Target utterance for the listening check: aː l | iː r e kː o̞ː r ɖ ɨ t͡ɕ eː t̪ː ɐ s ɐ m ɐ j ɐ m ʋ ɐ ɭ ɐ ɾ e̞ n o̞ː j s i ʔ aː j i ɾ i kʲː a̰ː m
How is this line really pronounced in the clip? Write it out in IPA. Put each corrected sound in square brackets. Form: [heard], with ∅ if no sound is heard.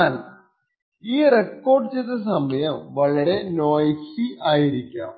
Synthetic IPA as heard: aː l | iː r e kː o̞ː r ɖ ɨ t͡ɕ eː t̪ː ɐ s ɐ m ɐ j ɐ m ʋ ɐ ɭ ɐ ɾ e̞ n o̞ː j s i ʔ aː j i ɾ i kʲː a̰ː m

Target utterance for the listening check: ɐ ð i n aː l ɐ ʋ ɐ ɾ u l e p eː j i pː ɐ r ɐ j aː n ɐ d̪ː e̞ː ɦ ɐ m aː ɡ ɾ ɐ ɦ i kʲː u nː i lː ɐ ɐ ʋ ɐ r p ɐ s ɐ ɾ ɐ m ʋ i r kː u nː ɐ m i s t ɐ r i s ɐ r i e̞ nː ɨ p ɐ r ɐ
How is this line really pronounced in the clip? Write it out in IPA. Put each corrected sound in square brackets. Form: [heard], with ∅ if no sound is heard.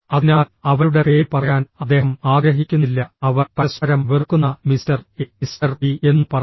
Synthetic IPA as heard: ɐ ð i n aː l ɐ ʋ ɐ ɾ u [ɽ] e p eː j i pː ɐ r ɐ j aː n ɐ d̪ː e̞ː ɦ ɐ m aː ɡ ɾ ɐ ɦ i kʲː u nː i lː ɐ ɐ ʋ ɐ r p ɐ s ɐ ɾ ɐ m ʋ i r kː u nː ɐ m i s t ɐ r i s ɐ r i e̞ nː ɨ p ɐ r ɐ

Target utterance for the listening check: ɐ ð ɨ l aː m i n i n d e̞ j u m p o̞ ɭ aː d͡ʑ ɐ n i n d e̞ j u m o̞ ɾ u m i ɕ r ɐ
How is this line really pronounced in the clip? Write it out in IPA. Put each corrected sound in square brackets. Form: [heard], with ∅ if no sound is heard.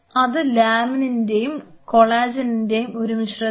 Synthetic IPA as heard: ɐ ð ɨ l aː m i n i n d e̞ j u m [k] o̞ ɭ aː d͡ʑ ɐ n i n d e̞ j u m o̞ ɾ u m i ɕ r ɐ

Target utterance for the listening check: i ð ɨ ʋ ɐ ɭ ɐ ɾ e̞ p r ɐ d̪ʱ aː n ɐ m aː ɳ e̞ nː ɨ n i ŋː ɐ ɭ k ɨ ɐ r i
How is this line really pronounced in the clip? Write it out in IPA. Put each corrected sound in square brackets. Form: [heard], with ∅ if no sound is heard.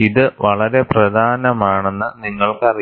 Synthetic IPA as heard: i ð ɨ ʋ ɐ ɭ ɐ ɾ e̞ p r ɐ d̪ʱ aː n ɐ m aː ɳ e̞ nː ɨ n i ŋː ɐ ɭ k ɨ ɐ r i

